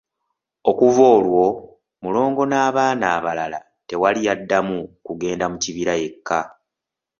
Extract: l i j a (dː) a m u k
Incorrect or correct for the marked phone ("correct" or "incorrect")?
correct